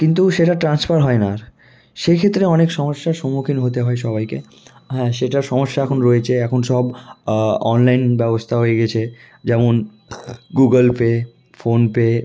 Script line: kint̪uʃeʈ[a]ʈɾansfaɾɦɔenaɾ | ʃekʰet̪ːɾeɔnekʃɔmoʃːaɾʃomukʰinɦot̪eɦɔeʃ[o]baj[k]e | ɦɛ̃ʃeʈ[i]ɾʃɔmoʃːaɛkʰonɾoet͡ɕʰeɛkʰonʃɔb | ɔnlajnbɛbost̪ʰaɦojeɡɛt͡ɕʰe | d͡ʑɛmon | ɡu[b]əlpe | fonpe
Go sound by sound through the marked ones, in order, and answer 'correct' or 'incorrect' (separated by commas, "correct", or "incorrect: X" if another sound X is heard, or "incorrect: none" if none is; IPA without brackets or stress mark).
correct, incorrect: ɔ, correct, incorrect: a, incorrect: ɡ